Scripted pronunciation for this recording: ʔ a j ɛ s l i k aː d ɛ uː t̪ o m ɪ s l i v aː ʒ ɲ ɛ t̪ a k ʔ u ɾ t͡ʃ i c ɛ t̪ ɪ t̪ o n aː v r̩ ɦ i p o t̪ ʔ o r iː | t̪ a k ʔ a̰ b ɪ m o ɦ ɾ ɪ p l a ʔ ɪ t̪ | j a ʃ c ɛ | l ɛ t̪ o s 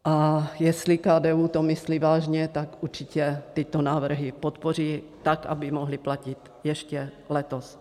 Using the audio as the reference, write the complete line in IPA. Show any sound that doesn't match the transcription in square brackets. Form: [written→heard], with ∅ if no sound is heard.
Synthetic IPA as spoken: ʔ a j ɛ s l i k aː d ɛ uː t̪ o m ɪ s l i v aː ʒ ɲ ɛ t̪ a k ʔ u ɾ t͡ʃ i c ɛ t̪ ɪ t̪ o n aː v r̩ ɦ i p o t̪ [ʔ→p] o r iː | t̪ a k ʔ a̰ b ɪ m o ɦ [ɾ→l] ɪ p l a [ʔ→c] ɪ t̪ | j [a→ɛ] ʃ c ɛ | l ɛ t̪ o s